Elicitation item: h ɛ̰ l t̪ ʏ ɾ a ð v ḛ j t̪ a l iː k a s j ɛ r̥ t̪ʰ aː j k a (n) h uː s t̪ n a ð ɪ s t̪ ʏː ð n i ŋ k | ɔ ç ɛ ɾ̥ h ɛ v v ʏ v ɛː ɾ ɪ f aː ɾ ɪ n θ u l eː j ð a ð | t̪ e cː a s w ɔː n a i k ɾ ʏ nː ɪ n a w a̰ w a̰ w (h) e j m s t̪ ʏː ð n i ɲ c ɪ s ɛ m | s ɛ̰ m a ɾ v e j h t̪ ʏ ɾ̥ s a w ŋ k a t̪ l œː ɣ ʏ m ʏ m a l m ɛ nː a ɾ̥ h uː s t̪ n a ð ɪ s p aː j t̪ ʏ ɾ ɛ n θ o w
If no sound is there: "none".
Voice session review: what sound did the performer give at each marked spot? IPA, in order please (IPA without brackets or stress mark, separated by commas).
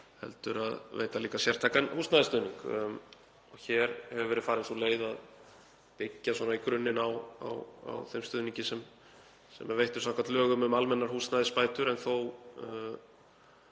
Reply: n, θ